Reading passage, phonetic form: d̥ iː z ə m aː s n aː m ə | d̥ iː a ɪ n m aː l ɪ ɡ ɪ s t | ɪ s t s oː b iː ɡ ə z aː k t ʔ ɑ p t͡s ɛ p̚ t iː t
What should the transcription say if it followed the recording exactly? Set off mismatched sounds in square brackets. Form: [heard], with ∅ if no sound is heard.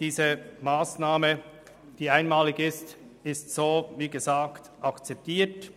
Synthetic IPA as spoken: d̥ iː z ə m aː s n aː m ə | d̥ iː a ɪ n m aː l ɪ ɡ ɪ s t | ɪ s t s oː [v] iː ɡ ə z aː k t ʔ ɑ [k] t͡s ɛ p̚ t iː t